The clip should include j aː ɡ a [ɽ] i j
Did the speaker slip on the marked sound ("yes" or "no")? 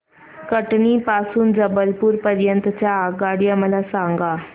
no